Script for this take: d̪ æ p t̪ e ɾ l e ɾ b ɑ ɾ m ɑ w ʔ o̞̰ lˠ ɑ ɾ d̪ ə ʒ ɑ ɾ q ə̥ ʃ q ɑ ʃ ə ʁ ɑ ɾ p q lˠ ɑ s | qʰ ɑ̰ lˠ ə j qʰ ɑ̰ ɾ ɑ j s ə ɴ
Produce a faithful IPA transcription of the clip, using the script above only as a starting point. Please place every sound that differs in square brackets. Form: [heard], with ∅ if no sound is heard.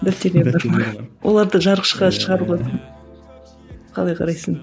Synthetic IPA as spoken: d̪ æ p t̪ e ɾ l e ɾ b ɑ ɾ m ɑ w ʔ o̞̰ lˠ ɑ ɾ d̪ ə ʒ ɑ ɾ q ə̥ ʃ q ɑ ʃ ə ʁ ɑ ɾ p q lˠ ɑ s | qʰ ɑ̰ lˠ [ɑ] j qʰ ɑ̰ ɾ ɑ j s ə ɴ